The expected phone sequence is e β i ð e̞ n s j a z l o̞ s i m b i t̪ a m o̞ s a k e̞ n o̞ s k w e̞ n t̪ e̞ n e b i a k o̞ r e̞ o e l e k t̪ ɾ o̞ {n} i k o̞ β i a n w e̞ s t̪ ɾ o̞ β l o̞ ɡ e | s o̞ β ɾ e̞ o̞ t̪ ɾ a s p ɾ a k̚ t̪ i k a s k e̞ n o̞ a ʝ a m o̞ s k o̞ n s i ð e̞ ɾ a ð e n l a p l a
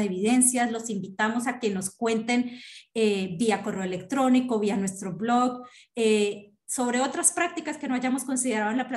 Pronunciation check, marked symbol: correct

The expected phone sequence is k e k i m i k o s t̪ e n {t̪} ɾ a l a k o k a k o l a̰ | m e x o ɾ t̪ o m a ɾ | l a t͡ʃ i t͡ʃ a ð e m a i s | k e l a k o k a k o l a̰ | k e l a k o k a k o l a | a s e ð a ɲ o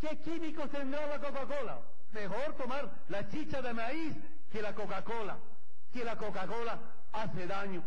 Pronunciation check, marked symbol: incorrect: d̪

